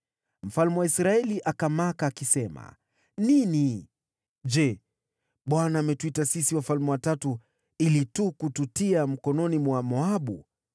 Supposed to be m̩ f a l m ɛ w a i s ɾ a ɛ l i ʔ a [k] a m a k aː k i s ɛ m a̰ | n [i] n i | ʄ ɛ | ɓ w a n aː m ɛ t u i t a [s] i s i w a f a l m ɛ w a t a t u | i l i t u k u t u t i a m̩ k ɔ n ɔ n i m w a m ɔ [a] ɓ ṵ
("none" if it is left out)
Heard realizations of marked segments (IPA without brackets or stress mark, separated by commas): k, i, s, a